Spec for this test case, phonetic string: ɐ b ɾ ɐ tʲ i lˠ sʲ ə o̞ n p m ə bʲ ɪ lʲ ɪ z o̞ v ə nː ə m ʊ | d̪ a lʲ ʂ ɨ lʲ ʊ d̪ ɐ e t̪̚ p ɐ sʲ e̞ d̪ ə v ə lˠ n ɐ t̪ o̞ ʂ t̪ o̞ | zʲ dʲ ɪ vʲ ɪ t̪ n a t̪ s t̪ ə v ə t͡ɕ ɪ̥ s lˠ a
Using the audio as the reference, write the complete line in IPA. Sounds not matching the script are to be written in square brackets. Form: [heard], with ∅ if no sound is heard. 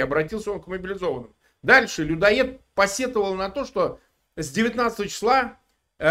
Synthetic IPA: ɐ b ɾ ɐ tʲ i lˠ sʲ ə o̞ n [k] m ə bʲ ɪ lʲ ɪ z o̞ v ə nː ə m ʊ | d̪ a lʲ ʂ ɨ lʲ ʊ d̪ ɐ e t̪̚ p ɐ sʲ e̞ [t̪] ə v ə lˠ n ɐ t̪ o̞ ʂ t̪ o̞ | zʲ dʲ ɪ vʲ ɪ t̪ n a t̪ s t̪ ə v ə t͡ɕ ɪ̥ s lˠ a